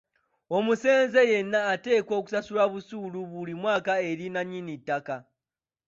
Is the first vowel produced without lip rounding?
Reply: no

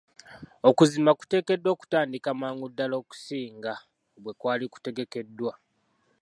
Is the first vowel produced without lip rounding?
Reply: no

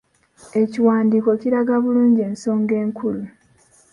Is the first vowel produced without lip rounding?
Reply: yes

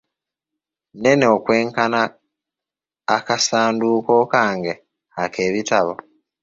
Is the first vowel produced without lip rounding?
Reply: yes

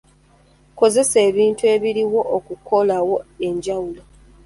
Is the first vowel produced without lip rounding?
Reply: no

